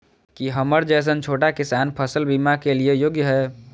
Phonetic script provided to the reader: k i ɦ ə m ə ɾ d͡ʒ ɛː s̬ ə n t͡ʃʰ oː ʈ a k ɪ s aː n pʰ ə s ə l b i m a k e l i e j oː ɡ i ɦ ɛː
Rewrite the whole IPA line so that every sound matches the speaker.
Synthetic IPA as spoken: k i ɦ ə m ə ɾ d͡ʒ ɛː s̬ ə n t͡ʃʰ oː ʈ a k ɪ s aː n pʰ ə s ə l b i m a k e l i e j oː ɡ j ɦ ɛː

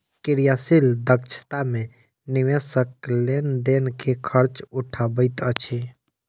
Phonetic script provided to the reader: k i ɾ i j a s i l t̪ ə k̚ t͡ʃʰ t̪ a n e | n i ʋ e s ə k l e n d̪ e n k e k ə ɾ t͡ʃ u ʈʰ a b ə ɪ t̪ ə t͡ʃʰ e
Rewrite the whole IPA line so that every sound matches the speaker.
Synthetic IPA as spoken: k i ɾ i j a s i l d̪ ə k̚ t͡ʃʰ t̪ a m e | n i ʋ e s ə k l e n d̪ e n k e kʰ ə ɾ t͡ʃ u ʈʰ a b ə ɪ t̪ ə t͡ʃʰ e

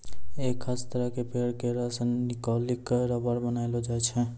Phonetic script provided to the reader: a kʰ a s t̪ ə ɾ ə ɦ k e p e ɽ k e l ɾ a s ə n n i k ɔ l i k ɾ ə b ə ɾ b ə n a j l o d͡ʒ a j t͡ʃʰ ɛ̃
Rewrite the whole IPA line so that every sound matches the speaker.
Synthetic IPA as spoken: e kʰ a s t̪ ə ɾ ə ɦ k e p e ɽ k e ɾ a s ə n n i k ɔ l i k ɾ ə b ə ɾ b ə n a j l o d͡ʒ a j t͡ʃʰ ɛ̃

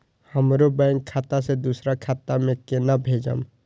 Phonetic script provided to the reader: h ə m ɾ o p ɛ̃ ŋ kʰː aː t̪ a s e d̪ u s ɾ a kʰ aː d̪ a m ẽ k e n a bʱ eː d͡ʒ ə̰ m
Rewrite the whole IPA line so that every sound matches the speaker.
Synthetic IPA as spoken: h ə m ɾ o b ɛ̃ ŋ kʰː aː t̪ a s e d̪ u s ɾ a kʰ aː t̪ a m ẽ k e n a bʱ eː d͡ʒ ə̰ m

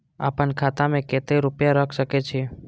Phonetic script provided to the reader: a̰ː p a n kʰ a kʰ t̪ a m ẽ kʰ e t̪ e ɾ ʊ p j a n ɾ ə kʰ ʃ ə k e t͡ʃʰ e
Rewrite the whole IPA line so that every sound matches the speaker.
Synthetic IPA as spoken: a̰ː p ə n kʰ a t̪ a m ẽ k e t̪ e ɾ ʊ p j a ɾ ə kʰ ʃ ə k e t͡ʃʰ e

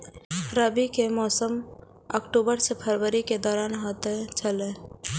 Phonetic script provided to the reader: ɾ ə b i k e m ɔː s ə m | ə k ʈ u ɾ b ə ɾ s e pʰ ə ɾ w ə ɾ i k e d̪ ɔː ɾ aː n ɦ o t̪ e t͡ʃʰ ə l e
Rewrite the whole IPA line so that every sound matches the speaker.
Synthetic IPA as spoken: ɾ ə b i k e m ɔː s ə m | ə k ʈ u b ə ɾ s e pʰ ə ɾ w ə ɾ i k e d̪ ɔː ɾ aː n ɦ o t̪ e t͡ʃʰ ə l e

